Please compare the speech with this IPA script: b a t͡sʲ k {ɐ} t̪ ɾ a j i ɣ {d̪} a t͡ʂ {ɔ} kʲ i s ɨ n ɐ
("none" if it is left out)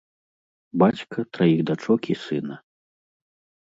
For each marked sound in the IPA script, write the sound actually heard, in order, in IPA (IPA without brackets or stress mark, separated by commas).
ɐ, d̪, ɔ